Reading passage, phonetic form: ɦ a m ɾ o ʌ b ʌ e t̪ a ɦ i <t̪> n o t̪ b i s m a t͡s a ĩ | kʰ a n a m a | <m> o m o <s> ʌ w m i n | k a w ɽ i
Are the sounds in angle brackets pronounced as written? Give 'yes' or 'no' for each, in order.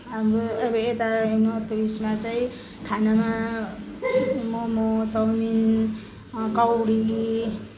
no, yes, no

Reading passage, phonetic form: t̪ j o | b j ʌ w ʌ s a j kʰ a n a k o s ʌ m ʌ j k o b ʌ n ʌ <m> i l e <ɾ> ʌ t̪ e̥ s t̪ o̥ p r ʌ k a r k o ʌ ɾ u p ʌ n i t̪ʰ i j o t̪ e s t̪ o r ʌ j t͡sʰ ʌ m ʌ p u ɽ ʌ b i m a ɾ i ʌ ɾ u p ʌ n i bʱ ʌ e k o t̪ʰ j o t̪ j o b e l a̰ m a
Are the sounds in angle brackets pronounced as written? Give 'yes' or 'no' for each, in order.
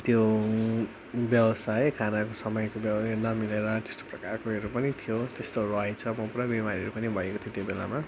yes, yes

